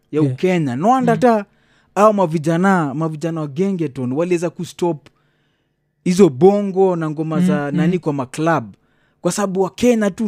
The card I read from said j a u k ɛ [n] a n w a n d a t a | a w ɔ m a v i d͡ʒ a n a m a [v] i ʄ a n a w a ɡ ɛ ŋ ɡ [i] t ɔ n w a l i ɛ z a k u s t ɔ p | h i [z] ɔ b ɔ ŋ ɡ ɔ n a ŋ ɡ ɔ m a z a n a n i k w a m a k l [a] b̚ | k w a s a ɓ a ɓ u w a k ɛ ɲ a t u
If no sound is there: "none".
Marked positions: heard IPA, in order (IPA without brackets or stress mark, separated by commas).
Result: ɲ, v, ɛ, z, a